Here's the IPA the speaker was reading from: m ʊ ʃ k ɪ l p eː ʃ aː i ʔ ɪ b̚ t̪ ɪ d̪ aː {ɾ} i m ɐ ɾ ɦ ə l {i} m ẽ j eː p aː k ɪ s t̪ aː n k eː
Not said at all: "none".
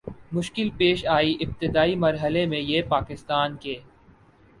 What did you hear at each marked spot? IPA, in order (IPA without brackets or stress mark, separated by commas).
none, e